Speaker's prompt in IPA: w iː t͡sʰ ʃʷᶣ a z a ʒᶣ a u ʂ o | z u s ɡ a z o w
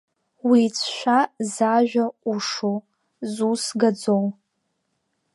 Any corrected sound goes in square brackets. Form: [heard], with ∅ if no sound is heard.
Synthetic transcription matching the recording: w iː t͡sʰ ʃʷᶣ a z a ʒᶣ a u ʂ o | z u s ɡ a [d͡z] o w